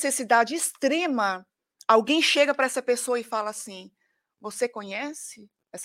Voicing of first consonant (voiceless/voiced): voiceless